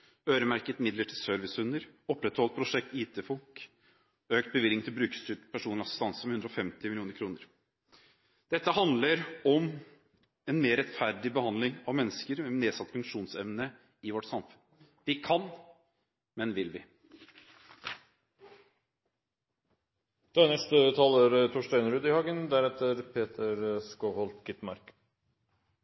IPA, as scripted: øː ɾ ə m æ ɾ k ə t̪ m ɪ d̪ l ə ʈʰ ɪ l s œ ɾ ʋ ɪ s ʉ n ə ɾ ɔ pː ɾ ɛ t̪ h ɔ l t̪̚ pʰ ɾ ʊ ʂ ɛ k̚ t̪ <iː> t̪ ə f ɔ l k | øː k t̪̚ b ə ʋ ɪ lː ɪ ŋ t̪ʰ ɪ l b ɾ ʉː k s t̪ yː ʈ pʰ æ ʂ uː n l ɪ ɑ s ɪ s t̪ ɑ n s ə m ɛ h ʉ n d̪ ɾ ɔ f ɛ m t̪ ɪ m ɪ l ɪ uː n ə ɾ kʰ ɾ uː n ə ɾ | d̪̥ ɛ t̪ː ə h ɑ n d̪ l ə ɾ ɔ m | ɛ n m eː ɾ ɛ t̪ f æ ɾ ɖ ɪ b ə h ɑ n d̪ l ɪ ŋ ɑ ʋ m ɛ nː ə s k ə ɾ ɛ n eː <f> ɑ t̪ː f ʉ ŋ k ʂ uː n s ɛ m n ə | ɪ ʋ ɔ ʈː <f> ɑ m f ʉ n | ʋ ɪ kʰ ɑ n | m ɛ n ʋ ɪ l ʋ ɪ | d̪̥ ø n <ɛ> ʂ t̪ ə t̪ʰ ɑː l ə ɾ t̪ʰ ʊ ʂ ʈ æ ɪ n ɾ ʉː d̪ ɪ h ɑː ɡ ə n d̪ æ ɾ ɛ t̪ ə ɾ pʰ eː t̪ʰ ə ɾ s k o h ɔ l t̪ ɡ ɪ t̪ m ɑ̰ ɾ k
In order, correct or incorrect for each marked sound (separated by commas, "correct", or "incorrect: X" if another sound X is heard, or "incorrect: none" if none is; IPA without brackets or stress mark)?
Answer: correct, incorrect: s, incorrect: s, correct